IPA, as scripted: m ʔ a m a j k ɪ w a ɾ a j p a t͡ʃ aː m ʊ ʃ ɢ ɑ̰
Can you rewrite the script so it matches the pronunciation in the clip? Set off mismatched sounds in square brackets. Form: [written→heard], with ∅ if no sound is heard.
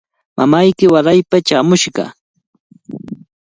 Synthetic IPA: m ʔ a m a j k ɪ w a ɾ a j p a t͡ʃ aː m ʊ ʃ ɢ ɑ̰